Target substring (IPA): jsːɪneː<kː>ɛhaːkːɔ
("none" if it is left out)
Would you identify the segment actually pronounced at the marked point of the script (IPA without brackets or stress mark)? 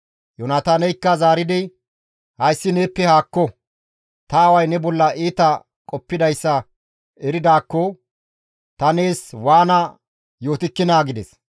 pː